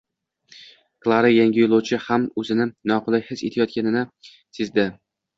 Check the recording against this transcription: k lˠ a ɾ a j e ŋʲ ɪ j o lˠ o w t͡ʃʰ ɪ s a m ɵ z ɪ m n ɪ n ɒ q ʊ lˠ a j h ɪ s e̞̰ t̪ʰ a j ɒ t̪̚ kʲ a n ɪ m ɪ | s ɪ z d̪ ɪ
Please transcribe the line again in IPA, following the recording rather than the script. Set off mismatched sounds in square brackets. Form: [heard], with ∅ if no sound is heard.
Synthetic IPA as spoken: k lˠ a ɾ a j [a] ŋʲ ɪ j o lˠ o w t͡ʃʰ ɪ [h] a m ɵ z ɪ [∅] n ɪ n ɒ q ʊ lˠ a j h ɪ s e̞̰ t̪ʰ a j ɒ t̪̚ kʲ a n ɪ [n] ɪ | s ɪ z d̪ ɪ